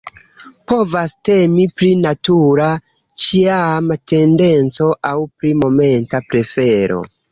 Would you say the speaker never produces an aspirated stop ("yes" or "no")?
yes